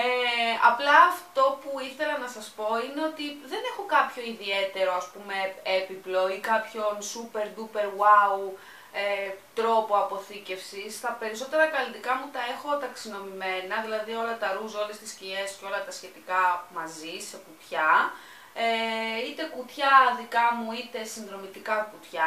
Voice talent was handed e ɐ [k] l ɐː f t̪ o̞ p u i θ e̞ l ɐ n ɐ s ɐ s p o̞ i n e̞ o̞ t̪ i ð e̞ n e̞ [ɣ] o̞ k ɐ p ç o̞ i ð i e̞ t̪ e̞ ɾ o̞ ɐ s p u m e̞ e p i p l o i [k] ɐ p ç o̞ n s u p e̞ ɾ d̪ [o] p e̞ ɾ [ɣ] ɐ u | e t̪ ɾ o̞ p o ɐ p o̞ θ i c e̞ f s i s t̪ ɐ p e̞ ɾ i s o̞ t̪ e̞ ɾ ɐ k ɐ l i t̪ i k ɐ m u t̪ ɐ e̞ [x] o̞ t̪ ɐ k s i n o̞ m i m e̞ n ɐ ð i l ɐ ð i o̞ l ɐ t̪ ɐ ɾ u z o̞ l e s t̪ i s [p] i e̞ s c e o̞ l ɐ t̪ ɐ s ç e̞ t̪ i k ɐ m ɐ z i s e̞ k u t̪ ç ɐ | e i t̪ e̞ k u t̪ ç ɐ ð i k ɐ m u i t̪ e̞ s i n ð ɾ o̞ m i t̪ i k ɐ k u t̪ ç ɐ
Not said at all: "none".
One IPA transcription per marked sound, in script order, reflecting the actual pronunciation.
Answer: p, x, k, u, w, x, c

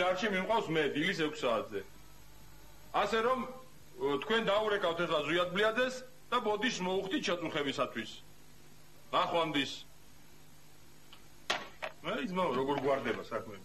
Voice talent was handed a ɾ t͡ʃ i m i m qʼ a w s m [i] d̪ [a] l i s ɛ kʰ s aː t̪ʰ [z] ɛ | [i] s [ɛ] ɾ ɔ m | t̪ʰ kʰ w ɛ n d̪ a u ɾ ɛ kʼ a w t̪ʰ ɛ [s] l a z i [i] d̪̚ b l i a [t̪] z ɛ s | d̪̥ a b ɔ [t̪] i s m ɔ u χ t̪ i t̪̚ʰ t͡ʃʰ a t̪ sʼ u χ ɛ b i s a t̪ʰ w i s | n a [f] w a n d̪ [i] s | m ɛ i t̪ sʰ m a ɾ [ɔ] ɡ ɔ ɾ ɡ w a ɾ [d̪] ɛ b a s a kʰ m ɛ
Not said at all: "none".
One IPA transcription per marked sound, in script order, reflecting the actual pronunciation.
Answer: ɛ, i, z, a, ɛ, χ, a, d̪, d̪, χ, i, ɔ, d̪

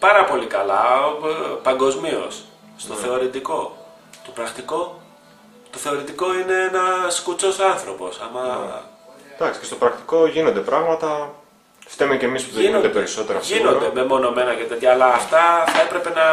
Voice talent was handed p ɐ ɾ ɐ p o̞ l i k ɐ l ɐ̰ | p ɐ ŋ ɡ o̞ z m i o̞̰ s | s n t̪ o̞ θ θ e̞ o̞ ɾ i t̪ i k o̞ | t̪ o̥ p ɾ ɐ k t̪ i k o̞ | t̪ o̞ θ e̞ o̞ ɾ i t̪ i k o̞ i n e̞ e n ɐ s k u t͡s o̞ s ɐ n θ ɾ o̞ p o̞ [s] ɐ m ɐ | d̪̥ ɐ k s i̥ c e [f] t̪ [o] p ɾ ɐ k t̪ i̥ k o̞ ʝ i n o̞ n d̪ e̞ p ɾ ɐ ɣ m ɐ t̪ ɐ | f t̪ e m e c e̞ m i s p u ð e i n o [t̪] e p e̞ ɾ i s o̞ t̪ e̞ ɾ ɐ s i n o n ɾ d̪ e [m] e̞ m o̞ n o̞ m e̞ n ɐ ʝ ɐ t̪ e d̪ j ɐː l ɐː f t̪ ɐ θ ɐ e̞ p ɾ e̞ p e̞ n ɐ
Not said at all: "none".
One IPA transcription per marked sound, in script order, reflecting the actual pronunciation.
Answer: s, s, o, d̪, m

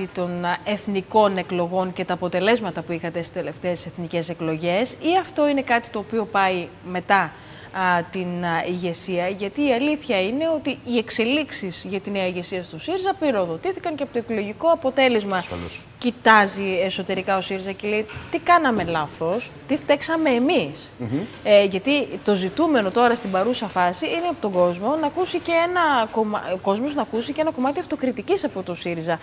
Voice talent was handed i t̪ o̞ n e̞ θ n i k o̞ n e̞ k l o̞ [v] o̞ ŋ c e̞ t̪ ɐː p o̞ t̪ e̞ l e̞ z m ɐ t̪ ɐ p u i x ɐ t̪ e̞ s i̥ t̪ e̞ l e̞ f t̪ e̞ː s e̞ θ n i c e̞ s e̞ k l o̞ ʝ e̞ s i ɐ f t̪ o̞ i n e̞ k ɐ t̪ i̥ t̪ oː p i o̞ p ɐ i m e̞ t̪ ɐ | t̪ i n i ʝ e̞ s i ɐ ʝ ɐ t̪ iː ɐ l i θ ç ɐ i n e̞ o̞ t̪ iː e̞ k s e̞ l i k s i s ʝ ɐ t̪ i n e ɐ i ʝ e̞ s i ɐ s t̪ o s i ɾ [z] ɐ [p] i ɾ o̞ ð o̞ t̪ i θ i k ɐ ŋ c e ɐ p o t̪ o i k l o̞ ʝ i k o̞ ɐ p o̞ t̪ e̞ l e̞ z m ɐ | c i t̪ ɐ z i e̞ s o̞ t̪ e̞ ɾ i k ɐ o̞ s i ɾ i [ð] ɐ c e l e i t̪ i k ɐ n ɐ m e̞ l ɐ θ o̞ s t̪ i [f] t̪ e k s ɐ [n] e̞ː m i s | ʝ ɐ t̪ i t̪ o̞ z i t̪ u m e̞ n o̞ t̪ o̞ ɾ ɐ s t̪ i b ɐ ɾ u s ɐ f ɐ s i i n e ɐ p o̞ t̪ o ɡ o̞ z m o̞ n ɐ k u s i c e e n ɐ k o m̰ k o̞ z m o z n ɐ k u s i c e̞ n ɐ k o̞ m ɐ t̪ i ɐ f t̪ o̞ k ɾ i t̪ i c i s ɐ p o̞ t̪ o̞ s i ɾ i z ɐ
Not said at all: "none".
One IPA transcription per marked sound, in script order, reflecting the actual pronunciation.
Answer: ɣ, z, p, z, f, m

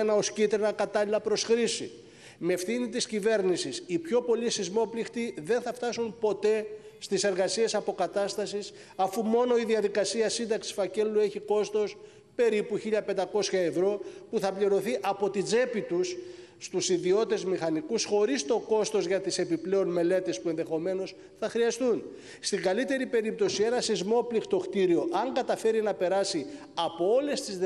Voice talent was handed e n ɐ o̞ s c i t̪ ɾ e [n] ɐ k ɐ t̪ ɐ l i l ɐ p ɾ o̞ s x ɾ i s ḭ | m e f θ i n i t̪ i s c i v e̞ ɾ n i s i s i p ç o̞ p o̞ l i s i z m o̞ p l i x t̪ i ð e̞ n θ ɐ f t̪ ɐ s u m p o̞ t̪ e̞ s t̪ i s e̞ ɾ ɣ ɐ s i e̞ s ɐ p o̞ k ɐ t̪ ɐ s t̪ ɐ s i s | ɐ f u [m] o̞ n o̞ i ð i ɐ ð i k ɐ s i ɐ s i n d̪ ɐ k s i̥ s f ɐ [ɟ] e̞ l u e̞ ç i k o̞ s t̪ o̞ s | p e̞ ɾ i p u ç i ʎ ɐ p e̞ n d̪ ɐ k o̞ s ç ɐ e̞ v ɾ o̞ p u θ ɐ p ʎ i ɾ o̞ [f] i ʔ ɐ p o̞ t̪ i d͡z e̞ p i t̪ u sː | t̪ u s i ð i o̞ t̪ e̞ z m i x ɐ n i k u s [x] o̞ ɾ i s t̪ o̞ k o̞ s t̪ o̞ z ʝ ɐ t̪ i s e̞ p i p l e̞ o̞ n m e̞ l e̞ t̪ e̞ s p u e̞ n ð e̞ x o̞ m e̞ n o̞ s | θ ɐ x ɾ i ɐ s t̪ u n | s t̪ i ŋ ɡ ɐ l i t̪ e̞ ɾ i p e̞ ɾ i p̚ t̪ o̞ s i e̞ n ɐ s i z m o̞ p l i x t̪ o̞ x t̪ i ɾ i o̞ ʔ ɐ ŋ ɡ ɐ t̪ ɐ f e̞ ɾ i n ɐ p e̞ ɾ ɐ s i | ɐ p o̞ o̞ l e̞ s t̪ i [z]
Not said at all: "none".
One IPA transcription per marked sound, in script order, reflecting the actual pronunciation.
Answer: n, m, c, θ, x, z

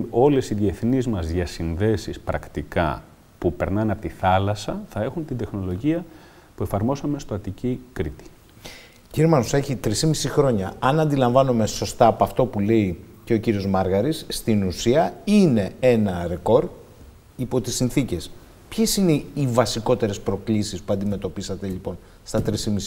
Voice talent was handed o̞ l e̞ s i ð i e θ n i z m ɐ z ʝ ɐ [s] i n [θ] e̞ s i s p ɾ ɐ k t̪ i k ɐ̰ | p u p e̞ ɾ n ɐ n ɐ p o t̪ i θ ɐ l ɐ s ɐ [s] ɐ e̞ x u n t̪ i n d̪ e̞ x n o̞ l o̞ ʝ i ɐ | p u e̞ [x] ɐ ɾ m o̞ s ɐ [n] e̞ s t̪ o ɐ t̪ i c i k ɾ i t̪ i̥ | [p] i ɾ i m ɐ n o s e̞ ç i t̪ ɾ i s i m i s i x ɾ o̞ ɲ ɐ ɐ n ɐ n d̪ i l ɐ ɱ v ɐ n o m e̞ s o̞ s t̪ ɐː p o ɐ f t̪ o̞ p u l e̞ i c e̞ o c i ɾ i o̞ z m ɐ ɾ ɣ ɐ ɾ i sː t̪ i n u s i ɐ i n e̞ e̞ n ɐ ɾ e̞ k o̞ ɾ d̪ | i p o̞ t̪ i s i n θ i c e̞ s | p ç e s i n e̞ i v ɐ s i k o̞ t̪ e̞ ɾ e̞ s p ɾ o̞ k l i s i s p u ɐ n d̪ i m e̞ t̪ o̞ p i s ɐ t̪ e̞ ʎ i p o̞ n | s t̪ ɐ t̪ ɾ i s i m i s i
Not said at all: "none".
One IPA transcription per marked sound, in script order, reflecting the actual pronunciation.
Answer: s, ð, θ, f, m, c

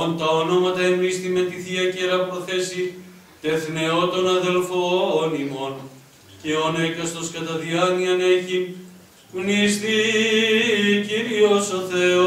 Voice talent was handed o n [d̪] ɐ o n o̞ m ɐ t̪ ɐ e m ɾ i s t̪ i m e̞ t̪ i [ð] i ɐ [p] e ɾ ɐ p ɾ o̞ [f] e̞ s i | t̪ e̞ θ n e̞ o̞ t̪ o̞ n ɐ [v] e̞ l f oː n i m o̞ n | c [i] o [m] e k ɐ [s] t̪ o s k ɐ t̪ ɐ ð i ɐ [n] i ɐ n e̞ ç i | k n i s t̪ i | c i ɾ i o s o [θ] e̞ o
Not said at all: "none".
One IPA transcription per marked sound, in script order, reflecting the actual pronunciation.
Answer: t̪, θ, c, θ, ð, e, n, s, n, θ

